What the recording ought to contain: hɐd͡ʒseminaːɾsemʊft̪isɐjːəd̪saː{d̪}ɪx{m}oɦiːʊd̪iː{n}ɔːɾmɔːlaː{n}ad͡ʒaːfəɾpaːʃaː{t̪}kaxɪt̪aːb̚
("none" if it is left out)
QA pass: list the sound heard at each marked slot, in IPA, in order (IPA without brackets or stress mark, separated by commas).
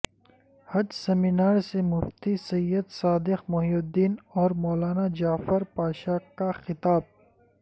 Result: d̪, m, n, n, none